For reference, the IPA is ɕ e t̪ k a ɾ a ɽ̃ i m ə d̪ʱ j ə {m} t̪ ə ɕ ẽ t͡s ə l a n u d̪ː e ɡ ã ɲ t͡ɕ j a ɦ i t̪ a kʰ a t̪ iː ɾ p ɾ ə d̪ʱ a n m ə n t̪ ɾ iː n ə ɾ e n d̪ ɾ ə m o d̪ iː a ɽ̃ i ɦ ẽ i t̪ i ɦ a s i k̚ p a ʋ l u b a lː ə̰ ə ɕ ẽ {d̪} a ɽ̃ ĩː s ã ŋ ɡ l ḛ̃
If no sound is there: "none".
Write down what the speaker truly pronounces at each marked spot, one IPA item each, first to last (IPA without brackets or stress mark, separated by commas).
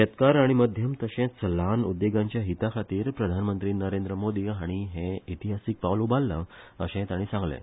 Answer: m, t̪